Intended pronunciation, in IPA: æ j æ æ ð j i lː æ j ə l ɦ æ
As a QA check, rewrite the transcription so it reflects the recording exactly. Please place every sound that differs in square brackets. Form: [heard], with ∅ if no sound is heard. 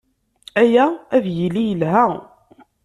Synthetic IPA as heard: æ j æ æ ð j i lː [i] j ə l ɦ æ